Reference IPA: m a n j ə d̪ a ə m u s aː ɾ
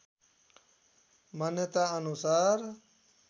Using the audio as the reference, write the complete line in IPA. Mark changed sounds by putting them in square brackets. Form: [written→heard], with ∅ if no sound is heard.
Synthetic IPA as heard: m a n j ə [d̪→t̪] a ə [m→n] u s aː ɾ